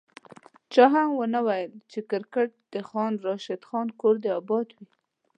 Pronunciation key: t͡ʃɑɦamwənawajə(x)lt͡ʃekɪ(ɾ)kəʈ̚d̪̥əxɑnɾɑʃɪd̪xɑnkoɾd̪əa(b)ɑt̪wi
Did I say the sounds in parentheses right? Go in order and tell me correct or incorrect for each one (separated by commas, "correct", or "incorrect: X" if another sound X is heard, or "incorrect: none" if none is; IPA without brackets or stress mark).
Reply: incorrect: none, correct, correct